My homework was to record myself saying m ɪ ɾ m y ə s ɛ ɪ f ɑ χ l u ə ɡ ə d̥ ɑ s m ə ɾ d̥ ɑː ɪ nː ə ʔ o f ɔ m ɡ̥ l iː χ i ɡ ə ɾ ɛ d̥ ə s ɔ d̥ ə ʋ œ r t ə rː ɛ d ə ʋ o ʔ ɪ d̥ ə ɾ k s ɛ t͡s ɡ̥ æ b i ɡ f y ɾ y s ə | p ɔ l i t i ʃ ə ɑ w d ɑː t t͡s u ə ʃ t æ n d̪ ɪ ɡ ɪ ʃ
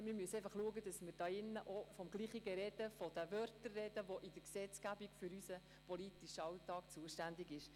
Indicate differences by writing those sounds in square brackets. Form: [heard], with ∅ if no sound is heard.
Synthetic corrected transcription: m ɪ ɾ m y ə s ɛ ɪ f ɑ χ l u ə ɡ ə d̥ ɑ s m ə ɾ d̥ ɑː ɪ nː ə ʔ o f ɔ m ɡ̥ l iː χ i ɡ ə ɾ ɛ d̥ ə [f] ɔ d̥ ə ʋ œ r t ə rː ɛ d ə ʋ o ʔ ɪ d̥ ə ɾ k s ɛ t͡s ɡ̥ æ b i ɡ f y ɾ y s ə | p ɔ l i t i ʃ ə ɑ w [t] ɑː [k] t͡s u ə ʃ t æ n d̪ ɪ ɡ ɪ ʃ